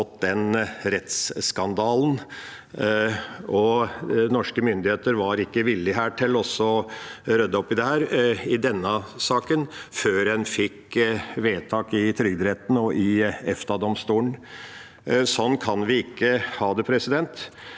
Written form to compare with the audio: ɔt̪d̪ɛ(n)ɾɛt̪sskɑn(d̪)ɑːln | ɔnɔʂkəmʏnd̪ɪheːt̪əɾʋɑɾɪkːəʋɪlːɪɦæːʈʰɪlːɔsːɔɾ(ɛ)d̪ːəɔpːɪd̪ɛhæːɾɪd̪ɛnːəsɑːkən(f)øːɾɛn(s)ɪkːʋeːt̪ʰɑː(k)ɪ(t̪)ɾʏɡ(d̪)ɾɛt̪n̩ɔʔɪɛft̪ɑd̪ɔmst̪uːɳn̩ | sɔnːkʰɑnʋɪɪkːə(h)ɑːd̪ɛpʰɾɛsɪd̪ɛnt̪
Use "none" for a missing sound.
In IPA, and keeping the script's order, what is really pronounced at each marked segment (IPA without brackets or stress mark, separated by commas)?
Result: n, d̪, œ, f, f, k, t̪ʰ, d̪, h